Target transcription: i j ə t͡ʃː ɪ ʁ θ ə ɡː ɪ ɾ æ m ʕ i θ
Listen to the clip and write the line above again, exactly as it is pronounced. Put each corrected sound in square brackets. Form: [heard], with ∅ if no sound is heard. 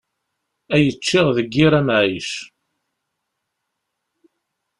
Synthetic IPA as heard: [æ] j ə t͡ʃː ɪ ʁ [ð] ə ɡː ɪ ɾ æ m ʕ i [ʃ]